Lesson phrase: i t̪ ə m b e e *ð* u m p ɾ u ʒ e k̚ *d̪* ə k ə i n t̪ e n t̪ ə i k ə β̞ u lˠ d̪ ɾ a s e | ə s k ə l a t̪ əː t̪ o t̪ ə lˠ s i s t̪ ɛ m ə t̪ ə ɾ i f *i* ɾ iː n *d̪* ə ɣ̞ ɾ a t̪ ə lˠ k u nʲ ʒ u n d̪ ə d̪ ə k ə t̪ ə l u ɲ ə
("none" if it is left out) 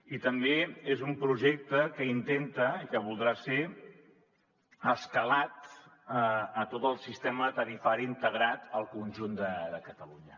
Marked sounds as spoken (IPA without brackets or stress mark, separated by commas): z, t̪, a, t̪